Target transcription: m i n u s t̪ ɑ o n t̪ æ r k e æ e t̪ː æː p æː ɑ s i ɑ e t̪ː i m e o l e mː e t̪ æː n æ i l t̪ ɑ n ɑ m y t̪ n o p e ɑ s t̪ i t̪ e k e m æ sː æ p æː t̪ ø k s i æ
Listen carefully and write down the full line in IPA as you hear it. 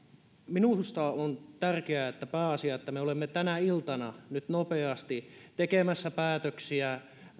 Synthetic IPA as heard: m i n u s t̪ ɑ o n t̪ æ r k e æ e t̪ː æ p æː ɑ s i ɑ e t̪ː æ m e o l e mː e t̪ æ n æ i l t̪ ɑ n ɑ n y t̪ n o p e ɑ s t̪ i t̪ e k e m æ sː æ p æː t̪ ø k s i æ